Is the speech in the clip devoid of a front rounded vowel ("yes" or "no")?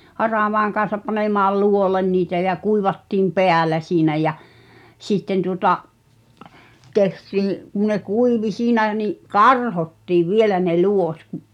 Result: yes